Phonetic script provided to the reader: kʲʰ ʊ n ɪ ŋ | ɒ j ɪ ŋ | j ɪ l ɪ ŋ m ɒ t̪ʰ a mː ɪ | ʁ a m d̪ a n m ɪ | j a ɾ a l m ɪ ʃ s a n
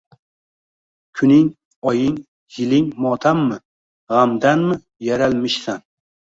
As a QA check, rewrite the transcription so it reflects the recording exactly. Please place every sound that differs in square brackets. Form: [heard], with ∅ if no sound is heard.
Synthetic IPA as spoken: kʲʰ ʊ n ɪ ŋ | ɒ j ɪ ŋ | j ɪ l ɪ ŋ m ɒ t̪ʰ a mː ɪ | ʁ a m d̪ a n m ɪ | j a ɾ a l m ɪ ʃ s a n